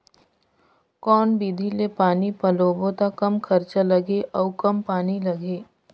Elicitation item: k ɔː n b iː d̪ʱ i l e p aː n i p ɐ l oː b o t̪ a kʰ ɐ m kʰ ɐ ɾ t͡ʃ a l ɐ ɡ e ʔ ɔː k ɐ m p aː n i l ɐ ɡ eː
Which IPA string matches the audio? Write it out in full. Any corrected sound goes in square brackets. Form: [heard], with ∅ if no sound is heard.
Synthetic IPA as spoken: k ɔː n b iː d̪ʱ i l e p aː n i p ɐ l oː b o t̪ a [k] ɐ m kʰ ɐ ɾ t͡ʃ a l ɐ ɡ e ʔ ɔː k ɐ m p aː n i l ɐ ɡ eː

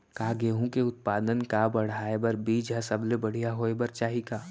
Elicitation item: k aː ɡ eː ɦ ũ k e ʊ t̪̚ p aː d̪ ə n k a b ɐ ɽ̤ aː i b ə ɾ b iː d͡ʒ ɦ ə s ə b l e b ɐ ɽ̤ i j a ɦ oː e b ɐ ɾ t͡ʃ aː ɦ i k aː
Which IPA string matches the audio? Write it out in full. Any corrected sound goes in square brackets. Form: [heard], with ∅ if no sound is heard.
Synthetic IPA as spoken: k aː ɡ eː ɦ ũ k e ʊ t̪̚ p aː d̪ ə n k a b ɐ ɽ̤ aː [e] b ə ɾ b iː d͡ʒ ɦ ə s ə b l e b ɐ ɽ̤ i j a ɦ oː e b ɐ ɾ t͡ʃ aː ɦ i k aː

